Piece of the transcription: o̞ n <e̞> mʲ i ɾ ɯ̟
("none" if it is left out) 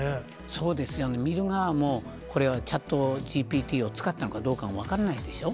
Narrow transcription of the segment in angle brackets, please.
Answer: e̞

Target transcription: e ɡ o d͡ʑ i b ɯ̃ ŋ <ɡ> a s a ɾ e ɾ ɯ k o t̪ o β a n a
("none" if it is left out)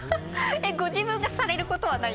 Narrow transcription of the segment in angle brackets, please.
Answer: ɡ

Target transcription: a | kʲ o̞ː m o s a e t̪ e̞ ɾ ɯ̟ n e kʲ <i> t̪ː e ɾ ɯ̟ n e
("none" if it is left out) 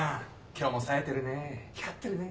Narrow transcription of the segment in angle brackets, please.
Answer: a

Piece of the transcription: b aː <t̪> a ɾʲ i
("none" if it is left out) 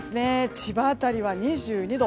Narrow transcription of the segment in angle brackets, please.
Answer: t̪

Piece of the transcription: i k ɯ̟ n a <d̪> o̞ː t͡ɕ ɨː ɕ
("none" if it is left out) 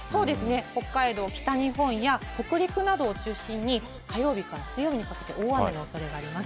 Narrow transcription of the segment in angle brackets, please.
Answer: d̪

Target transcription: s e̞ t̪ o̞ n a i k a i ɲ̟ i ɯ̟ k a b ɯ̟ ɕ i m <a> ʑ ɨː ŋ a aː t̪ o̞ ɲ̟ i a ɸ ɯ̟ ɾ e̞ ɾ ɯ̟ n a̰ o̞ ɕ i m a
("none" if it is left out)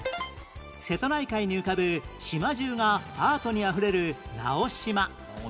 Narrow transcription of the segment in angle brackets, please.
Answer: a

